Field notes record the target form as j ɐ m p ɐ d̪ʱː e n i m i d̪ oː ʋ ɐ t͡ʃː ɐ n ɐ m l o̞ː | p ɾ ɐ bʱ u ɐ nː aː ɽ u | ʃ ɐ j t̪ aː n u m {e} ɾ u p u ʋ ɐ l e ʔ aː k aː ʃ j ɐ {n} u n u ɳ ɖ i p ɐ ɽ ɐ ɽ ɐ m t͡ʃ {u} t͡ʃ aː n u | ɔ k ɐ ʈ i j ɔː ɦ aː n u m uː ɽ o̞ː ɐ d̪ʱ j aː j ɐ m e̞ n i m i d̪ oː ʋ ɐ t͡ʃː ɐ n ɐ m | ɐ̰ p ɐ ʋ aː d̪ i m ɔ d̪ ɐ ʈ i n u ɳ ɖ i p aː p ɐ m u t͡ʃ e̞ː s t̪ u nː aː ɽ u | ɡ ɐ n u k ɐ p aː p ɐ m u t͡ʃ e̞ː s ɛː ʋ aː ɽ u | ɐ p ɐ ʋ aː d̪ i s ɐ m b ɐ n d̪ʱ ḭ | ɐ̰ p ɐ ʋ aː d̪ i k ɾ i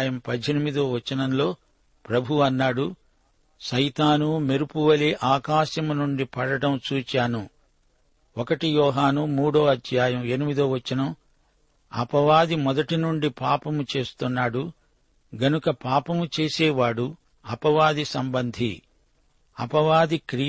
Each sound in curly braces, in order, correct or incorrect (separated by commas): correct, incorrect, incorrect